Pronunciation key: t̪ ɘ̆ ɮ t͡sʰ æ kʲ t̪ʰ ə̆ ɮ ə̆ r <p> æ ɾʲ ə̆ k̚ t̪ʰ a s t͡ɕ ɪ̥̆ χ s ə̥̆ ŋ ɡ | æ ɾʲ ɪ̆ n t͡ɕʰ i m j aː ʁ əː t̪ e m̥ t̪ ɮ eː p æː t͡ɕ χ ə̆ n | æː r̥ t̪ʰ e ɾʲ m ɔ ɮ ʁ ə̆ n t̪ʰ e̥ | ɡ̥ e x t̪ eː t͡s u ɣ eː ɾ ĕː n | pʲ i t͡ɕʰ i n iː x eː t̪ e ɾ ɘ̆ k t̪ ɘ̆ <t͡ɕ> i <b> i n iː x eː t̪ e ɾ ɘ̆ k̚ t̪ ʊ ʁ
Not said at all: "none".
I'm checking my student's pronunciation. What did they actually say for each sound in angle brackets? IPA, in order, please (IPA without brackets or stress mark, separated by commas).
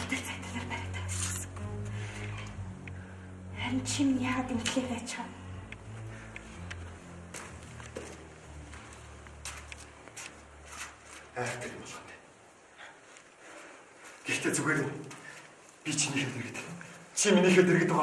p, t͡ɕʰ, m